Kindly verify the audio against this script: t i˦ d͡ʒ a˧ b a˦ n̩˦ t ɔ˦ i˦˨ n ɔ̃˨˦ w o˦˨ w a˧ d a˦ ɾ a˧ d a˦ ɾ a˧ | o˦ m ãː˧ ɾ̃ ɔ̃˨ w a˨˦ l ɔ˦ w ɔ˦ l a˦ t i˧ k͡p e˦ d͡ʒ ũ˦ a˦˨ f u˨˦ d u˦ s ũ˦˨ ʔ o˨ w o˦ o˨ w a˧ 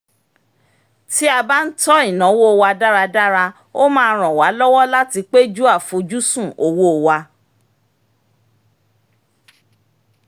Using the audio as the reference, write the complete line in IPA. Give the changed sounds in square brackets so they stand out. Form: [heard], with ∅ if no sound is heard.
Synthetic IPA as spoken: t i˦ [∅] a˧ b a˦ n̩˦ t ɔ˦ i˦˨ n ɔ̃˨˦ w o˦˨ w a˧ d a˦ ɾ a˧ d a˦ ɾ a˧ | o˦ m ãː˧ ɾ̃ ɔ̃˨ w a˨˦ l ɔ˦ w ɔ˦ l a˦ t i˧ k͡p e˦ d͡ʒ [u˦] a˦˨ f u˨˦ [d͡ʒ] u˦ s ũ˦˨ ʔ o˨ w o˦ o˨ w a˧